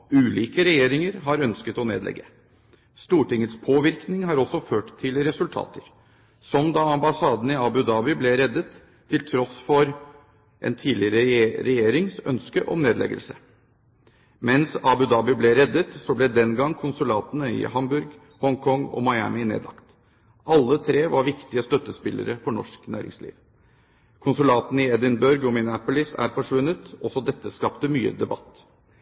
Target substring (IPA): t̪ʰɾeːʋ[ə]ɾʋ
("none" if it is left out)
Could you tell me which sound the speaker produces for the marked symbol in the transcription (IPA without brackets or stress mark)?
ɑ